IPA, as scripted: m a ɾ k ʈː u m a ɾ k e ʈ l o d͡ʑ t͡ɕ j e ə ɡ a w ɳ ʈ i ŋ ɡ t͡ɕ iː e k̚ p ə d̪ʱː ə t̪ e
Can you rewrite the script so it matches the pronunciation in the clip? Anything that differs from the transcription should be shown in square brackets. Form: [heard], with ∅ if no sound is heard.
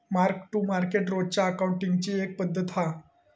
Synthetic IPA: m a ɾ k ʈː u m a ɾ k e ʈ [ɾ] o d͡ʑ t͡ɕ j [a] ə [k] a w ɳ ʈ i ŋ ɡ t͡ɕ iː e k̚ p ə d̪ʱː ə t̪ [a]